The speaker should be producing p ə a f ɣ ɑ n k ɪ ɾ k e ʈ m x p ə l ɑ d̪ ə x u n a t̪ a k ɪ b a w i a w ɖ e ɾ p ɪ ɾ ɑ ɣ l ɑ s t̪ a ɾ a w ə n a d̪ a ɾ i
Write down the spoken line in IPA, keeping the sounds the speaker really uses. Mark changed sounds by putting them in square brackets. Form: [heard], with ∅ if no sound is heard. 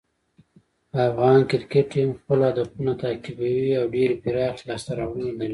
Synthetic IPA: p ə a f ɣ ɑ n k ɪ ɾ k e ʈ m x p ə l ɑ d̪ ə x u n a t̪ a k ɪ b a w i a w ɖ e ɾ p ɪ ɾ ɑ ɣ l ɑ s t̪ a ɾ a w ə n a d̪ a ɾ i